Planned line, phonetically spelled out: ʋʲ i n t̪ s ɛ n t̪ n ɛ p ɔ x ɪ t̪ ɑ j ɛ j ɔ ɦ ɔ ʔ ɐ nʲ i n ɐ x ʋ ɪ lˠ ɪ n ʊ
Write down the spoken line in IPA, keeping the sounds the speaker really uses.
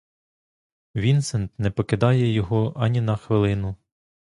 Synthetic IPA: ʋʲ i n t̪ s ɛ n t̪ n ɛ p ɔ k ɪ d̪ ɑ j ɛ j ɔ ɦ ɔ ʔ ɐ nʲ i n ɐ x ʋ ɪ lˠ ɪ n ʊ